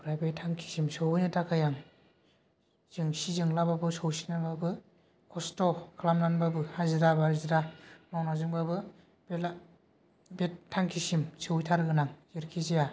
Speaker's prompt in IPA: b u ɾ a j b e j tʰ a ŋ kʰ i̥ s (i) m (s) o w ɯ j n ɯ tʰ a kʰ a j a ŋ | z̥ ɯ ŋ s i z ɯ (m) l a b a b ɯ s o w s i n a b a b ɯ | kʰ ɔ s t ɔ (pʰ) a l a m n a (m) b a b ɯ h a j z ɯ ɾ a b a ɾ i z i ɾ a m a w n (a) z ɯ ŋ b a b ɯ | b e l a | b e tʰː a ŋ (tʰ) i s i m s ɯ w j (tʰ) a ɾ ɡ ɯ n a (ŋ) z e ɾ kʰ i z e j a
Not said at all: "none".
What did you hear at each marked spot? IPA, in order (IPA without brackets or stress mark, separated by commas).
i, s, ŋ, kʰ, n, a, kʰ, tʰ, ŋ